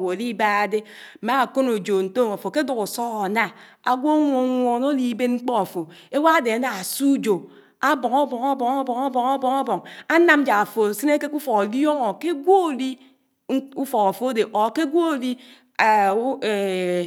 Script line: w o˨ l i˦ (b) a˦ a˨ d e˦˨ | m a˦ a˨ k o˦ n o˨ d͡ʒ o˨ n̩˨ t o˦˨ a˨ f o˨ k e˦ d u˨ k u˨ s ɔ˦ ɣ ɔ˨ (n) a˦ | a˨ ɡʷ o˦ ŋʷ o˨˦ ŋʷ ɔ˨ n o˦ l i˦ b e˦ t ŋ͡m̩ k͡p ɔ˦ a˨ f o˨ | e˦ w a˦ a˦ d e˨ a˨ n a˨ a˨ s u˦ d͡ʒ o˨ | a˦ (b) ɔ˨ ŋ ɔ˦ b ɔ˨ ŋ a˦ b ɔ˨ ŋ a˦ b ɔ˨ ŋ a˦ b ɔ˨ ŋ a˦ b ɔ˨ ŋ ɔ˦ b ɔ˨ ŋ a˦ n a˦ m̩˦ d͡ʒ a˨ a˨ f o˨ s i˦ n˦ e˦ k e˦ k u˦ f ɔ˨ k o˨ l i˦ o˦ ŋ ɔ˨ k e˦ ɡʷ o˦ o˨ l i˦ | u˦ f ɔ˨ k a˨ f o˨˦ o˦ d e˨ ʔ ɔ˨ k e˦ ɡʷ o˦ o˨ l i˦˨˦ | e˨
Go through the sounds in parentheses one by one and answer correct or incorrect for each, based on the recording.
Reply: correct, correct, correct

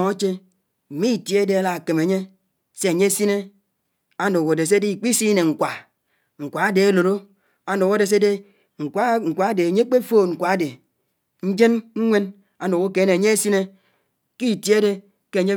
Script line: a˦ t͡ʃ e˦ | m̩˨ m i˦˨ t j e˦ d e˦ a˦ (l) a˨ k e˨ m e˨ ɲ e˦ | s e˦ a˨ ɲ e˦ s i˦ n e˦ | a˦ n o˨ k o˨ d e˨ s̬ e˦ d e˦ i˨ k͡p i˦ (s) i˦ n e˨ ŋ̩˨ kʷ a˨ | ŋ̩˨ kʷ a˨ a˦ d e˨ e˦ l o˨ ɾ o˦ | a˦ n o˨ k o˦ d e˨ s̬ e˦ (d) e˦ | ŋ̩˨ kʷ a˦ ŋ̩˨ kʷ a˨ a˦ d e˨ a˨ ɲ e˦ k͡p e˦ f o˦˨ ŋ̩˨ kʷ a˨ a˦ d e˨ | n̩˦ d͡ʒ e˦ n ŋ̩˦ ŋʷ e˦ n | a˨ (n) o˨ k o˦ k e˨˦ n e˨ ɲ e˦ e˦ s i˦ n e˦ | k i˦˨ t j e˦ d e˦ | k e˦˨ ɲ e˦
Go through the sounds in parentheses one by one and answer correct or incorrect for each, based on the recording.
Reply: correct, correct, correct, correct

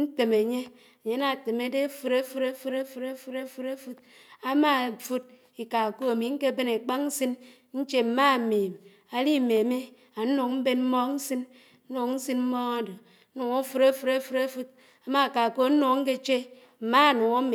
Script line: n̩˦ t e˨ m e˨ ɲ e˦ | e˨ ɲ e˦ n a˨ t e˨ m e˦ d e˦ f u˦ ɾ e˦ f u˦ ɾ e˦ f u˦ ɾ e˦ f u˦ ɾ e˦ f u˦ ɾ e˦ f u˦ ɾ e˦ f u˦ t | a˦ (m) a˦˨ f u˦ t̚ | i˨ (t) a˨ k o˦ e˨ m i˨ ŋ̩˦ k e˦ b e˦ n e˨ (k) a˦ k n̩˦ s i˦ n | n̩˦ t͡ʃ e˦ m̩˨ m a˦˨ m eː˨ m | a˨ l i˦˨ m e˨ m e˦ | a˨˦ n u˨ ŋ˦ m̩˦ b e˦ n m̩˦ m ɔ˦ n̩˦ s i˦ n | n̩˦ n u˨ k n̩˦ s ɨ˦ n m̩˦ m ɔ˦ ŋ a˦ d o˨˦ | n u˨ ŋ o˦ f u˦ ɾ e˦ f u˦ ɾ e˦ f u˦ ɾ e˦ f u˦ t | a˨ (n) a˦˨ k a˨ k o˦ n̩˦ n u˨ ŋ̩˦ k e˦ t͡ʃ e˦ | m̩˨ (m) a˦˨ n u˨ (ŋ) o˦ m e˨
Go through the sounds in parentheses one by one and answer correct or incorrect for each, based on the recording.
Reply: correct, incorrect, incorrect, incorrect, correct, correct

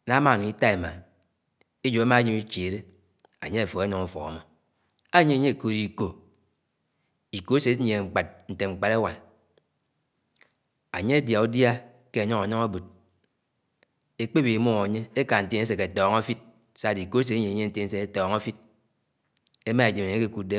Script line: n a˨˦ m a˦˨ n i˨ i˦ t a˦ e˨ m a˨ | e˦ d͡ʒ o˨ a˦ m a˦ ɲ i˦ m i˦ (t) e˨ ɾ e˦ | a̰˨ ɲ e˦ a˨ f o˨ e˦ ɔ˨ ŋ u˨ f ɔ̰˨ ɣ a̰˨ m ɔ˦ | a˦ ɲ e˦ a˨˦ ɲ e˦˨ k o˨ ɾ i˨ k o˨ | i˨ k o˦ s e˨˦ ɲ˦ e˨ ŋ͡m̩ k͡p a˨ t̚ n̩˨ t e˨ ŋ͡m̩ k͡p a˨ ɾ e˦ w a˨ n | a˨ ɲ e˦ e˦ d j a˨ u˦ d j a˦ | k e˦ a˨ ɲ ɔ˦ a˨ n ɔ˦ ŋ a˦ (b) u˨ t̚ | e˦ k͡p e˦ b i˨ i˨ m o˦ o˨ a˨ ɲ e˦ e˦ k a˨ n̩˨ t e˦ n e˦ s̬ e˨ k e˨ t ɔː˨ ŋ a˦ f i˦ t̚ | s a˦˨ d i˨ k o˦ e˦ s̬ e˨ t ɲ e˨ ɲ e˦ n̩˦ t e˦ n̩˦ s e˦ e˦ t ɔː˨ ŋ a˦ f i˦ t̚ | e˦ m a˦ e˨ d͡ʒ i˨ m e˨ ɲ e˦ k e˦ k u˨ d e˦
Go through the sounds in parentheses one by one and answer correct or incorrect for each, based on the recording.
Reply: incorrect, correct

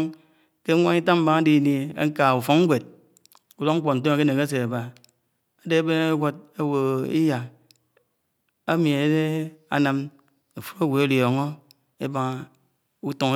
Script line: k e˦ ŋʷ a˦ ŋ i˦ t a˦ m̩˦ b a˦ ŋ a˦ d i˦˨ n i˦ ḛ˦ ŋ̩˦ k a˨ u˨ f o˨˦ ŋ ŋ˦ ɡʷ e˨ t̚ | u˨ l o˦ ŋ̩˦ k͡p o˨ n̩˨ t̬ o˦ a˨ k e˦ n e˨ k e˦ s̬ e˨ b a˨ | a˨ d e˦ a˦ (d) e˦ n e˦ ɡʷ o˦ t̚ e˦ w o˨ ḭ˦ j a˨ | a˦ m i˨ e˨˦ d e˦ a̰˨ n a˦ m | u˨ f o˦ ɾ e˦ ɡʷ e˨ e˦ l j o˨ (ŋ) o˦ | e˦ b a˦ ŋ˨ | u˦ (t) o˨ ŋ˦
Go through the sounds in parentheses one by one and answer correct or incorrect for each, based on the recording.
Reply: incorrect, correct, correct

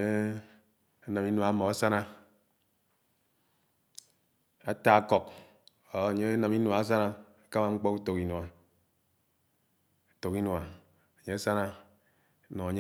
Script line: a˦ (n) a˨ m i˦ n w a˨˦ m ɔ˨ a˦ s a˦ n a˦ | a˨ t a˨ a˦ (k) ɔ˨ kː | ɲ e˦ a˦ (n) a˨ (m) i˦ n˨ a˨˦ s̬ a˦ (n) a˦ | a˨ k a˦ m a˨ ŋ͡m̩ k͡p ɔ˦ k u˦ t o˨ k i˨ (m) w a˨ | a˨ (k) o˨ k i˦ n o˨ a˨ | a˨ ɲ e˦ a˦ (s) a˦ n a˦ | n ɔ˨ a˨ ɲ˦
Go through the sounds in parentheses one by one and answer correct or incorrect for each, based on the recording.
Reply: correct, correct, correct, correct, correct, incorrect, incorrect, correct

